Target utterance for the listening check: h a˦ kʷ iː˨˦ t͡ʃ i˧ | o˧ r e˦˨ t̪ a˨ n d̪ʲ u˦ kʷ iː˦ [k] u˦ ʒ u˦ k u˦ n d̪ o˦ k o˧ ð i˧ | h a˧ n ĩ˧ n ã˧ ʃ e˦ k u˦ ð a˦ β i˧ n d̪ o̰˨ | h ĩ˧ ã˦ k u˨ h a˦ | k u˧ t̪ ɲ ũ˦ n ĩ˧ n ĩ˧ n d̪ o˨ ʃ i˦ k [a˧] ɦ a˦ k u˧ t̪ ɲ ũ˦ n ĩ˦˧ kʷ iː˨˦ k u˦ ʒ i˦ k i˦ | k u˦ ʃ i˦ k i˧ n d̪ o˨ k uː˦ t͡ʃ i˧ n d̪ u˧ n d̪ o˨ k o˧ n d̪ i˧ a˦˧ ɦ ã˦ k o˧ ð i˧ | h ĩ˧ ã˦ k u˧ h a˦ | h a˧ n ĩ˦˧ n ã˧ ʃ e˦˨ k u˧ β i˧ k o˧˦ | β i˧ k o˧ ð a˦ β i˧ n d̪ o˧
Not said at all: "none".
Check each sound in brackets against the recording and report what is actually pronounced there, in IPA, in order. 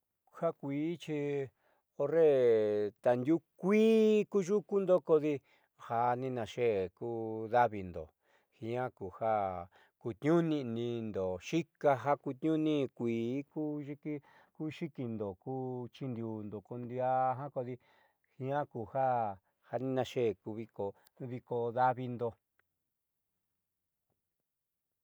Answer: k, a˧

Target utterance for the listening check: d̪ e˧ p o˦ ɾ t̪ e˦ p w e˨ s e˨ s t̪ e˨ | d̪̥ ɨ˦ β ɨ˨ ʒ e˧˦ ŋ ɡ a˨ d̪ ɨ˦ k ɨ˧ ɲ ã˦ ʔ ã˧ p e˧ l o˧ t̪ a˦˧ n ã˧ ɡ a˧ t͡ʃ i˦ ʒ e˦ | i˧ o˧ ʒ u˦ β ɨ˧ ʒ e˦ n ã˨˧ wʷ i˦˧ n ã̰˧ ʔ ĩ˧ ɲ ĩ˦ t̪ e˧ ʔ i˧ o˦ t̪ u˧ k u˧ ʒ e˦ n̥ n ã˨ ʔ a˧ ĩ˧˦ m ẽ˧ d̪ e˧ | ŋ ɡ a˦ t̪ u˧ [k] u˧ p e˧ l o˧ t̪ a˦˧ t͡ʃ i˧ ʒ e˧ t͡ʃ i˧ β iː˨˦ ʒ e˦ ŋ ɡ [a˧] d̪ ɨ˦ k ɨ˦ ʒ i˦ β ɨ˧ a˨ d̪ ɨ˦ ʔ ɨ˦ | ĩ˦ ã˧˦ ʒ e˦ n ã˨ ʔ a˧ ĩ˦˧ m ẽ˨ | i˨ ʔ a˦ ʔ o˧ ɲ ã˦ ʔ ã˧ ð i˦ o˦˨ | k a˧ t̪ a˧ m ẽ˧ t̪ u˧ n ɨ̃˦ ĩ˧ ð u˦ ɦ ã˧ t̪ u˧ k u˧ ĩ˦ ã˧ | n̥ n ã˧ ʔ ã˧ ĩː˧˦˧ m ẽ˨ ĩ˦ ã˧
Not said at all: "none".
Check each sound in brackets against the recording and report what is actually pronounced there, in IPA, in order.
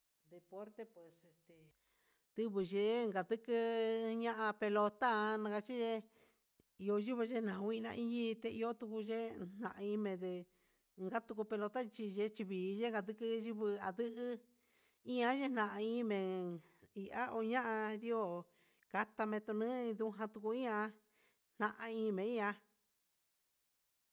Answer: k, a˧

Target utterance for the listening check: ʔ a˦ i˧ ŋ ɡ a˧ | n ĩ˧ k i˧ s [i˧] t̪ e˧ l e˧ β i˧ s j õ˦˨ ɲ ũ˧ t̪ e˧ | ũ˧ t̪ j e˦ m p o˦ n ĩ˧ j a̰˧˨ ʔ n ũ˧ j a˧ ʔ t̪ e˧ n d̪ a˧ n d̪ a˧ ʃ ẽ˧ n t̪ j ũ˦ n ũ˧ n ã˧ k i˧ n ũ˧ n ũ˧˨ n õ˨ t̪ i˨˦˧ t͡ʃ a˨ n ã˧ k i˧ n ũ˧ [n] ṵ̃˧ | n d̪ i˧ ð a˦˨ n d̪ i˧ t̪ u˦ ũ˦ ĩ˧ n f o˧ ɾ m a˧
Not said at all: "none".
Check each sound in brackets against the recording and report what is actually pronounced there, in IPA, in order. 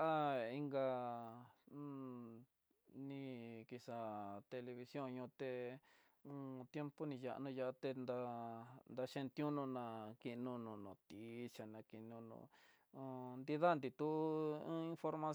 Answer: a˧, n

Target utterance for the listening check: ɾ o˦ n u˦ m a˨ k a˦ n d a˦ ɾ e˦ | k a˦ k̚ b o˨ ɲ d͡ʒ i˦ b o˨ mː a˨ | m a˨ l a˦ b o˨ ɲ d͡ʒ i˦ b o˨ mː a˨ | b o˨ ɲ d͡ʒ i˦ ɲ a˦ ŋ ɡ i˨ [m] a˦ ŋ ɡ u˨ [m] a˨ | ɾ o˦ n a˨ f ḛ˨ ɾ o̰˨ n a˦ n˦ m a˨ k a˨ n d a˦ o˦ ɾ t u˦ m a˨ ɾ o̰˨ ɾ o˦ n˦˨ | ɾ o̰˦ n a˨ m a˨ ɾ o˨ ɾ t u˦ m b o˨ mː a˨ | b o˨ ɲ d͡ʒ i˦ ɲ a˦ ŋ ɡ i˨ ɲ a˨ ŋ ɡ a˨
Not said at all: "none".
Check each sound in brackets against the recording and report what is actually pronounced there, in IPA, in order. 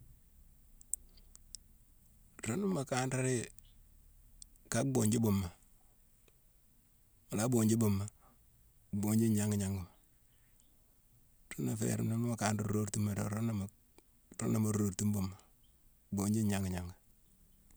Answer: ɲ, m

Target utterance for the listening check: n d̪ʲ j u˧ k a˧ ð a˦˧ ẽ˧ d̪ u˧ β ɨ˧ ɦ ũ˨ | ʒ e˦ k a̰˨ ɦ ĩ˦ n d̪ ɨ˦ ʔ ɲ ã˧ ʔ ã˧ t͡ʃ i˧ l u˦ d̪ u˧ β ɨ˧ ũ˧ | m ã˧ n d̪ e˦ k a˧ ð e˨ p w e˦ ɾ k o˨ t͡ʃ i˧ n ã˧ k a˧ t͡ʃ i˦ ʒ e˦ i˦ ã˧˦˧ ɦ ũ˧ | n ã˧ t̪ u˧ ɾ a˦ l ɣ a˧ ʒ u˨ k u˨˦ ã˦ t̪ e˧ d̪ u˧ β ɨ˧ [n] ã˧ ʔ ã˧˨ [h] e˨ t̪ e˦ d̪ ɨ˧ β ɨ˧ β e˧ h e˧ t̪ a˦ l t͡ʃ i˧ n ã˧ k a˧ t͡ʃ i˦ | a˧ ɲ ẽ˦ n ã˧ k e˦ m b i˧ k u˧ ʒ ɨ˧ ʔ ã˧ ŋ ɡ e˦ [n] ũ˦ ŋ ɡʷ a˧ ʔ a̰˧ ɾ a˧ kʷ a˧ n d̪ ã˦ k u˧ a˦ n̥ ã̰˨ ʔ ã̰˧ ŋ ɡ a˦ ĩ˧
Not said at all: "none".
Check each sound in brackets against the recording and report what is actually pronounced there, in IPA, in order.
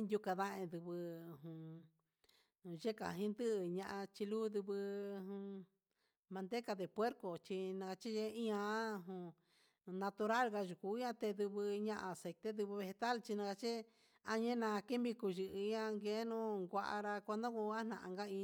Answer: ɲ, s, n

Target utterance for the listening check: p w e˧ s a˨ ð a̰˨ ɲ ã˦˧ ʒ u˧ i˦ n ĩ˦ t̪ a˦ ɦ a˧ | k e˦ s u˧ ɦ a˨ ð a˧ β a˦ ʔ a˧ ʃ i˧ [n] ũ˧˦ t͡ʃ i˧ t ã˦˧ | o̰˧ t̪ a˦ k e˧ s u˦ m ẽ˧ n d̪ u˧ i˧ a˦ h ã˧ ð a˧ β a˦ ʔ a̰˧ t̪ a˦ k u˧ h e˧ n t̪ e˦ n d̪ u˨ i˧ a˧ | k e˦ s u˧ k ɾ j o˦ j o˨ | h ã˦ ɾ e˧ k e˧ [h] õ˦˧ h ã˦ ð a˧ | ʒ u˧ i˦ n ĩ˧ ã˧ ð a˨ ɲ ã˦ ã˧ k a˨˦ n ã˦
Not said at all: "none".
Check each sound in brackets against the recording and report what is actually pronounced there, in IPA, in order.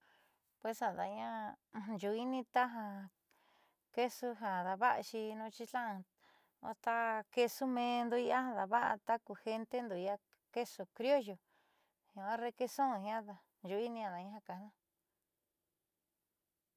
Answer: n, s

